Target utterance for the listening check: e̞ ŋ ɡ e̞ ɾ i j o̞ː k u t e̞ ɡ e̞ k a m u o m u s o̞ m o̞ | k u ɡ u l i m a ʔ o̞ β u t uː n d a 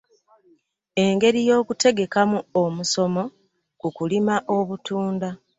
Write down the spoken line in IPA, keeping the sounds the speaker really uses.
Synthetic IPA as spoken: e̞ ŋ ɡ e̞ ɾ i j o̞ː k u t e̞ ɡ e̞ k a m u o m u s o̞ m o̞ | k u k u l i m a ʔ o̞ β u t uː n d a